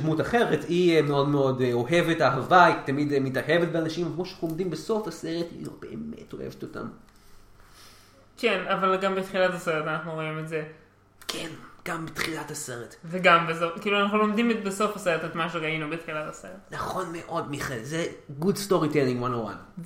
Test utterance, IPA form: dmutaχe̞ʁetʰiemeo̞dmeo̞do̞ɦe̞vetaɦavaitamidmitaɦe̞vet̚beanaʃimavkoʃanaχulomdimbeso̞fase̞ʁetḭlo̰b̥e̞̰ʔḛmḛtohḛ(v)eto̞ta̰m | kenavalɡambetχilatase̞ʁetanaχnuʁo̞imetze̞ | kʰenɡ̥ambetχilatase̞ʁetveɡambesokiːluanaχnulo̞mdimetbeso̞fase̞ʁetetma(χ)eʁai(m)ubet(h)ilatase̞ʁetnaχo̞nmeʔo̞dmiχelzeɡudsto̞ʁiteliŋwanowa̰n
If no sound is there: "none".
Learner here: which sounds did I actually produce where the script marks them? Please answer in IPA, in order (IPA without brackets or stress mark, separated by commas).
v, ʃ, n, χ